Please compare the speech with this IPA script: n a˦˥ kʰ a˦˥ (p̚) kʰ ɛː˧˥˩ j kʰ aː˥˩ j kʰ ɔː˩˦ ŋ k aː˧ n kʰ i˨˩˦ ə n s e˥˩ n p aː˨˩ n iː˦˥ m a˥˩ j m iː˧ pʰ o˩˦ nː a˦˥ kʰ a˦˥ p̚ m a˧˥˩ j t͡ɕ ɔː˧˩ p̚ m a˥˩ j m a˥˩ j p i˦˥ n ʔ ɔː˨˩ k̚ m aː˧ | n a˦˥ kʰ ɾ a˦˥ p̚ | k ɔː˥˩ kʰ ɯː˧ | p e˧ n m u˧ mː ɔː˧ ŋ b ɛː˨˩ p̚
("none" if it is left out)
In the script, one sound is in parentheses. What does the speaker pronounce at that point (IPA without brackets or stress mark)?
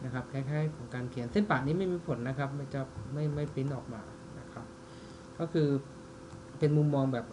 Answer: p̚